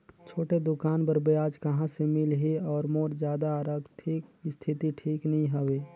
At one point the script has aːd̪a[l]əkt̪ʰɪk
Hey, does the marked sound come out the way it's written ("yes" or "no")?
no